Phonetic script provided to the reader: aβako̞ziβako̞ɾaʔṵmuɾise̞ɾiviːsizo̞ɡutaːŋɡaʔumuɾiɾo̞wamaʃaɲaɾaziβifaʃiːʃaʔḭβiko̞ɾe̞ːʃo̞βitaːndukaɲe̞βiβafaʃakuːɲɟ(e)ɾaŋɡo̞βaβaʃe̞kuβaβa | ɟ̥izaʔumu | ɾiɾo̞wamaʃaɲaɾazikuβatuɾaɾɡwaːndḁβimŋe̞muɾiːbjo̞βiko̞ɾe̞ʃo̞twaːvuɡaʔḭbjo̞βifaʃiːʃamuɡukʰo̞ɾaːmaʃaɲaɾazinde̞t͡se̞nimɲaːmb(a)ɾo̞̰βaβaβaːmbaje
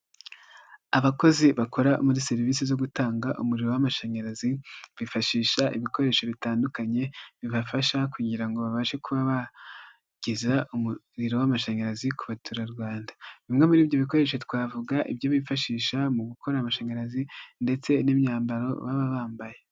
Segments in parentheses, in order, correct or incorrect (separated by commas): incorrect, correct